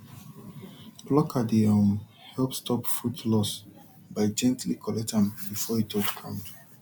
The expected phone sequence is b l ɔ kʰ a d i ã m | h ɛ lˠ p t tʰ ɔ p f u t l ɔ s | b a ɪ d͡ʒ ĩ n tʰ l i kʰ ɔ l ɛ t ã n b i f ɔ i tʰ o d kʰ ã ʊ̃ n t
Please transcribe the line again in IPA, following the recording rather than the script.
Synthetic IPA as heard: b l ɔ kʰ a d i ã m | h ɛ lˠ p s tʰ ɔ p f u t l ɔ s | b a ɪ d͡ʒ ɛ̃ n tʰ l i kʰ ɔ l ɛ t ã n b i f ɔ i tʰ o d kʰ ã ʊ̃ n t